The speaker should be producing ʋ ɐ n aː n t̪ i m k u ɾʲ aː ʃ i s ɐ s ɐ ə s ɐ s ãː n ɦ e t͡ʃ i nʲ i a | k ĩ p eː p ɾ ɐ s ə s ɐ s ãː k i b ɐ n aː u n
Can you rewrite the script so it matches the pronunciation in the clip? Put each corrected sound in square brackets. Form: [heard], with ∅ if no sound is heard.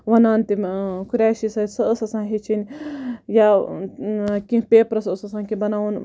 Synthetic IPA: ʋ ɐ n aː n t̪ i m k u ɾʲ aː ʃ i s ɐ s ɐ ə s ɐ s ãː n ɦ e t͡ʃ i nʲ [j] a | k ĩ p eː p ɾ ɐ s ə s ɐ s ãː k i b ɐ n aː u n